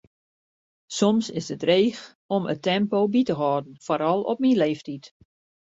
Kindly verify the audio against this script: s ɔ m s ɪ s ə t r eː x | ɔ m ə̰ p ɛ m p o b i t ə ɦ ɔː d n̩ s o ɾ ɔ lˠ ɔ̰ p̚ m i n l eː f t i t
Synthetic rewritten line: s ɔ m s ɪ s ə t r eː x | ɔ m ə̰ t ɛ m p o b i t ə ɦ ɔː d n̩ f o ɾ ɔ lˠ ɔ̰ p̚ m i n l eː f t i t